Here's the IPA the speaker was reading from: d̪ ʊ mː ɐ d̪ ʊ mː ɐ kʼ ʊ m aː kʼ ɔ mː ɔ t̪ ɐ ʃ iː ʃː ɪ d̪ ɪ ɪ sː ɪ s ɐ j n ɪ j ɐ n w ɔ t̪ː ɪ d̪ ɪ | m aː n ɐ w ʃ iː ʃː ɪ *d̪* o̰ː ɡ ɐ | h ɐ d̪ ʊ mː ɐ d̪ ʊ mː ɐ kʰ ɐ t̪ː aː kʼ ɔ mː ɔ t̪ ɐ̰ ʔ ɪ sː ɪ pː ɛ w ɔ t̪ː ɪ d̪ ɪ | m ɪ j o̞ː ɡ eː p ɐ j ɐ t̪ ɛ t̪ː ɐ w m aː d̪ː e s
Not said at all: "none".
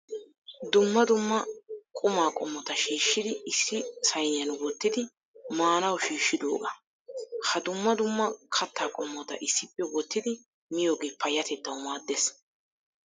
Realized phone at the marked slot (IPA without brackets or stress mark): d̪